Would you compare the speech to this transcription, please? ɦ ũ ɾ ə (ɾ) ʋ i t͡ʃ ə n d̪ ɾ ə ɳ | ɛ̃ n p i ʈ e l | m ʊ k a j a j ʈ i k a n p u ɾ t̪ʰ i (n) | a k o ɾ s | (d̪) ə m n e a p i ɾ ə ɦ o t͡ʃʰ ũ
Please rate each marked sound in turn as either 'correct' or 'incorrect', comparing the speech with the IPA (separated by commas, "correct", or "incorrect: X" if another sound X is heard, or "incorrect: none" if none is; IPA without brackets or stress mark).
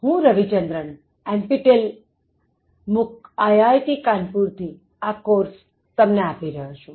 incorrect: none, incorrect: none, incorrect: t̪